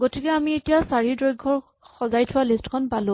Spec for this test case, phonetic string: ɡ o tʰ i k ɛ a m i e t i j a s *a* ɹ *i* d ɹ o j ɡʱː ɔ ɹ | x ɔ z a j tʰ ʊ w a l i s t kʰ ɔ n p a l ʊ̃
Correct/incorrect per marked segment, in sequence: correct, correct

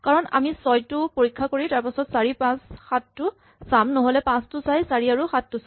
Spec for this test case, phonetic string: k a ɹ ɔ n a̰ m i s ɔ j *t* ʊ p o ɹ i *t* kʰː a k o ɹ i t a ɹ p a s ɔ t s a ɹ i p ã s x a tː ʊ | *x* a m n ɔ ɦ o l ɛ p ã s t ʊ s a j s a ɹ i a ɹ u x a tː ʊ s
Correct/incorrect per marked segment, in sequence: correct, incorrect: none, incorrect: s

